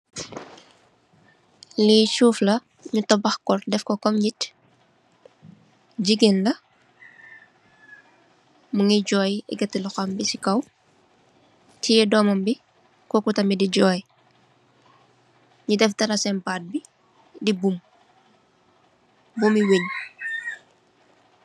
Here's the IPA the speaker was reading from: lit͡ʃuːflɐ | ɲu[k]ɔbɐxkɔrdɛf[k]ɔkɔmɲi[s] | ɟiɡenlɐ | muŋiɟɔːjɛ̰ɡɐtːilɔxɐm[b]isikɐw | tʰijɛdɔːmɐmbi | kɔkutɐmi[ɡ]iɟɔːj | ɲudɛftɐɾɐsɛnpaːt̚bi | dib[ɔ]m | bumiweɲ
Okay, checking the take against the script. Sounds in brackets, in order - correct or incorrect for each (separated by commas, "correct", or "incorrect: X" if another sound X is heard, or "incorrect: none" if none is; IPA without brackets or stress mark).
incorrect: t, correct, incorrect: t, correct, incorrect: d, incorrect: u